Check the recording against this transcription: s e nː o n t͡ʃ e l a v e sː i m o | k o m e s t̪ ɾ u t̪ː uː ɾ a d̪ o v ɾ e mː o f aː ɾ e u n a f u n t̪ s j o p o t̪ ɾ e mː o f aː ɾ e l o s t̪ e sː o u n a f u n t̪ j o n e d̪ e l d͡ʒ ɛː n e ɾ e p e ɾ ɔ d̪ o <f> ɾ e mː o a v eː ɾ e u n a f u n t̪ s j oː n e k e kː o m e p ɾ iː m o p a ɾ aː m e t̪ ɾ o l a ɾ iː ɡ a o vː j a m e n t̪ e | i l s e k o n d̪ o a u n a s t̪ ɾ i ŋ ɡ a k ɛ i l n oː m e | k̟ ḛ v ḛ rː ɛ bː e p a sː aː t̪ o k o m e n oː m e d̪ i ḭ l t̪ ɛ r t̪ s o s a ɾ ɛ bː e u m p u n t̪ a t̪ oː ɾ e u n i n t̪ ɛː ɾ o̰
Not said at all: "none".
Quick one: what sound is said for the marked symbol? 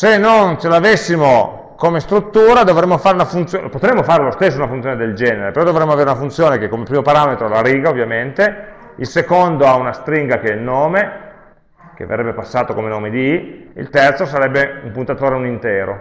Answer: v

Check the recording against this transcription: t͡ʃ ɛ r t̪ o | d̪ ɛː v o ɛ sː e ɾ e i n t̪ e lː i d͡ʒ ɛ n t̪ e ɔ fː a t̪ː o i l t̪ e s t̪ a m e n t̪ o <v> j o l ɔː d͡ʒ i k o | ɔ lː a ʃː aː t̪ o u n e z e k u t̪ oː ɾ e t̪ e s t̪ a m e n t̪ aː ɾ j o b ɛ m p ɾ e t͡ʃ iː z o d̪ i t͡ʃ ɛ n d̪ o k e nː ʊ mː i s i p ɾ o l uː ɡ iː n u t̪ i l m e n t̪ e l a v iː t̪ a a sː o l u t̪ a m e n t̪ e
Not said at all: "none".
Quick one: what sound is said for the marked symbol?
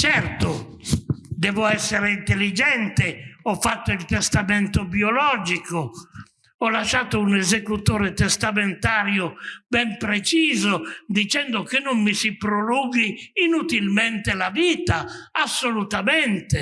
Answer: b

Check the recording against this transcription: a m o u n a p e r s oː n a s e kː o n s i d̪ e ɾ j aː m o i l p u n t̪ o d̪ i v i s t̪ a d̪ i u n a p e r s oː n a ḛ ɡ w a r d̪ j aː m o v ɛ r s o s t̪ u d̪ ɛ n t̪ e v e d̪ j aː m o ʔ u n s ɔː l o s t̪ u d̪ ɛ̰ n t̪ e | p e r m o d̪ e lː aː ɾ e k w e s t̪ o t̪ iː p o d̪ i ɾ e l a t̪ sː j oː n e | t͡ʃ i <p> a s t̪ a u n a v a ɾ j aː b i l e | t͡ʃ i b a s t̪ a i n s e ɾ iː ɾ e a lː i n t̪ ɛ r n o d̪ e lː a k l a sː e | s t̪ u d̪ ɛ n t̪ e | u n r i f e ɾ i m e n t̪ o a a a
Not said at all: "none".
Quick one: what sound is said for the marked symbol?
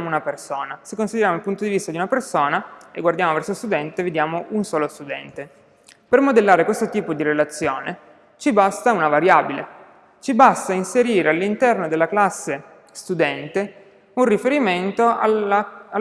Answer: b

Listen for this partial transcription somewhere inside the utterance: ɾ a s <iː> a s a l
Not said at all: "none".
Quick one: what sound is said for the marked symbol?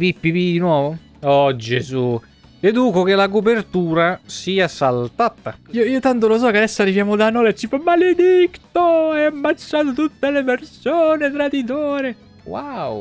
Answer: iː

